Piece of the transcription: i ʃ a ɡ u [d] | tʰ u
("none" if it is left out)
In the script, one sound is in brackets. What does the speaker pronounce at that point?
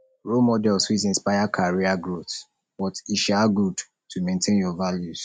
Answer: d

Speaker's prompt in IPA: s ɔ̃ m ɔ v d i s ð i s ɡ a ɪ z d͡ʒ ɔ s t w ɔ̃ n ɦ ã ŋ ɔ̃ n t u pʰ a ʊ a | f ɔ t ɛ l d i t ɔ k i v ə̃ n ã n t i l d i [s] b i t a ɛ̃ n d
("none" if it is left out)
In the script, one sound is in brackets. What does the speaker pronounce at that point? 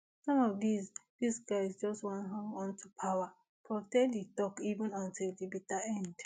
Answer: none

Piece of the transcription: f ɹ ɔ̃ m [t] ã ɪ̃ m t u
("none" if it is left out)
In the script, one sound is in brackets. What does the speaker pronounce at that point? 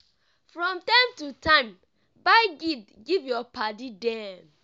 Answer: t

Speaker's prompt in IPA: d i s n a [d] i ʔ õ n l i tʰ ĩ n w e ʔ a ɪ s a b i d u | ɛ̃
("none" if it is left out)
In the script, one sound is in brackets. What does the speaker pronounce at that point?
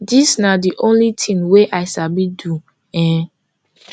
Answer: d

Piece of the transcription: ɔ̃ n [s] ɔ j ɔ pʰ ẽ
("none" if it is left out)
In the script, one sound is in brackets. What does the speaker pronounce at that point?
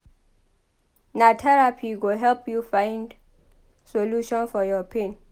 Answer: f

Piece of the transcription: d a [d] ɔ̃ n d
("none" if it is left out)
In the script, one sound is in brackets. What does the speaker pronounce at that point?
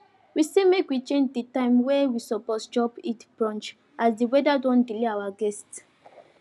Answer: d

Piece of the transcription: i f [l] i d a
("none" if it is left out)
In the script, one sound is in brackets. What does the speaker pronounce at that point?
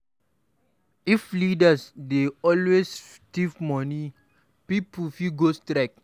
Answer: l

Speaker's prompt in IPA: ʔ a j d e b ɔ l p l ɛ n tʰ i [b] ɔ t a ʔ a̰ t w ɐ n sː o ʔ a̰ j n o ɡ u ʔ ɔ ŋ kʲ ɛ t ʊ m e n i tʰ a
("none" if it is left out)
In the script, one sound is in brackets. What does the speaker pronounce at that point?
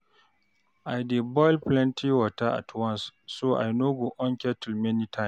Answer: w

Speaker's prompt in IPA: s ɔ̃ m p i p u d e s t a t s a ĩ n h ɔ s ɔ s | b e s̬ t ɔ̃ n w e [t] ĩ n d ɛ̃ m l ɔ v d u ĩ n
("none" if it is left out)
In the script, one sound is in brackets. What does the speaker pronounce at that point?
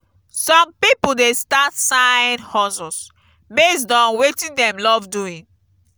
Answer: t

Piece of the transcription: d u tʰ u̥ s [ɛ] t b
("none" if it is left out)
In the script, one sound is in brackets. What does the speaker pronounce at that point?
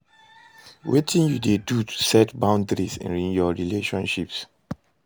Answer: ɛ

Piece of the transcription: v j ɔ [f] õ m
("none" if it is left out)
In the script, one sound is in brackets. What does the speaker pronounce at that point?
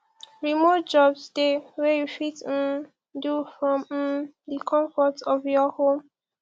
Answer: h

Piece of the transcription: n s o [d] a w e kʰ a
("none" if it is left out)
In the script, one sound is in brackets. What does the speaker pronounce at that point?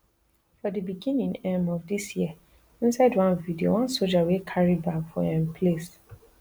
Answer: d͡ʒ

